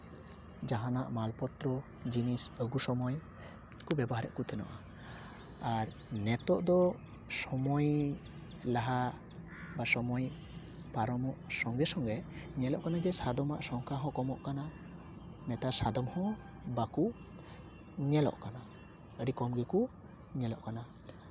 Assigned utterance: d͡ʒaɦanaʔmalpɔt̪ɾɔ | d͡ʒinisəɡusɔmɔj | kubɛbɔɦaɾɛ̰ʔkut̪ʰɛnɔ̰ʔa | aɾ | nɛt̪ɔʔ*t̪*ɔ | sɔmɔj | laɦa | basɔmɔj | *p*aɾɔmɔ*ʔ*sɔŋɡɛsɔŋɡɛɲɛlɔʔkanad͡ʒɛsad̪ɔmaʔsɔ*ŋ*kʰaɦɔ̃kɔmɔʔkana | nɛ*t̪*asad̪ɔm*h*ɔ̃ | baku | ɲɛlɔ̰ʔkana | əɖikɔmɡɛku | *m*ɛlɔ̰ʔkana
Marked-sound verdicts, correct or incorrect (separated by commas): incorrect, correct, correct, correct, correct, correct, incorrect